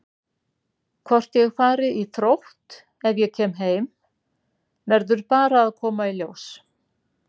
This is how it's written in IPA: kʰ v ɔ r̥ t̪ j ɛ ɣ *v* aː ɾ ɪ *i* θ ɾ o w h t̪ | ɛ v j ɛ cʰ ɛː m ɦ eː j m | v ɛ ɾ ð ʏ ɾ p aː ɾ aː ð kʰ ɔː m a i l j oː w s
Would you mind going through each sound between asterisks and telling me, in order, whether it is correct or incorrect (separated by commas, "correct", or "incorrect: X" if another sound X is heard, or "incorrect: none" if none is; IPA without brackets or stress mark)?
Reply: incorrect: f, correct